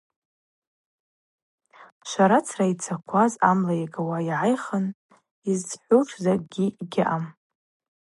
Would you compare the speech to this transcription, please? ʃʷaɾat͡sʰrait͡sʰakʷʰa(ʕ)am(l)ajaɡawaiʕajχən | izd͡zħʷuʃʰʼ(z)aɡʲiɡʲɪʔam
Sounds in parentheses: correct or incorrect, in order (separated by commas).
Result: incorrect, correct, correct